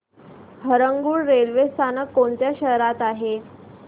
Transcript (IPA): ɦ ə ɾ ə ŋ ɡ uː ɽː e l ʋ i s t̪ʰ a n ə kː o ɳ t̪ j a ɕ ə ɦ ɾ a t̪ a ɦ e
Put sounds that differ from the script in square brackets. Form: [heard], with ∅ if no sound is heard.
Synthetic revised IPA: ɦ ə ɾ ə ŋ ɡ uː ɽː e l ʋ [e] s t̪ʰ a n ə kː o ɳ t̪ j a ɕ ə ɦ ɾ a t̪ a ɦ e